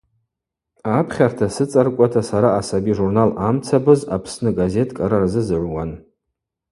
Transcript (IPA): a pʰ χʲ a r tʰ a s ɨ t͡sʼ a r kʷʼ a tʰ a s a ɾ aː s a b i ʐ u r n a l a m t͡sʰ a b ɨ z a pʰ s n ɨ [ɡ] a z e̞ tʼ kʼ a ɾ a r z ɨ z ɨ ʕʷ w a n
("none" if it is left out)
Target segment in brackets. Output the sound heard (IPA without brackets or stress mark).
ɡ